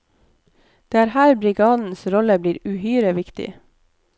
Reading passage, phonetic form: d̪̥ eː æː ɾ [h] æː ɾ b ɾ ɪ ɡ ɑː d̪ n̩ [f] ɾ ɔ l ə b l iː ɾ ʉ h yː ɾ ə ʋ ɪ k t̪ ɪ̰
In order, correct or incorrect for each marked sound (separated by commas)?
correct, incorrect